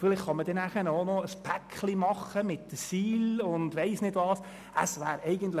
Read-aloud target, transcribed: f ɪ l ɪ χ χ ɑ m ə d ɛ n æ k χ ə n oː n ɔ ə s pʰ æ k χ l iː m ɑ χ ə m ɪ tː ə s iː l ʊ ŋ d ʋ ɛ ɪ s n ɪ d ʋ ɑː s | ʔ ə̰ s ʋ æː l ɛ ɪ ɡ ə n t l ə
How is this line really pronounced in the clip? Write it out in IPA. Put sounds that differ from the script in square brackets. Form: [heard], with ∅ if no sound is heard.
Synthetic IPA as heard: f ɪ l ɪ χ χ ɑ m ə d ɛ n æ [∅] χ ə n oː n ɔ ə s pʰ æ k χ l [i] m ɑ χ ə m ɪ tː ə s iː l ʊ [n] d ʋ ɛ ɪ s n ɪ d ʋ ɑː s | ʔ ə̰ s ʋ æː [ɾ] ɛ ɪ ɡ ə n t l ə